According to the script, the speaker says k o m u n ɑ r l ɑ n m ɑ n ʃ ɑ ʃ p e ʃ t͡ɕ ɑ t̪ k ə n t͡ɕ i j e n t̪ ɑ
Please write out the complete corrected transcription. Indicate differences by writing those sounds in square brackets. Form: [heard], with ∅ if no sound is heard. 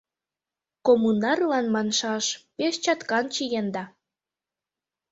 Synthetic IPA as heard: k o m u n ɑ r l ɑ n m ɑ n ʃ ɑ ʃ p e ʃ t͡ɕ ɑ t̪ k [ɑ] n t͡ɕ i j e n [d̪] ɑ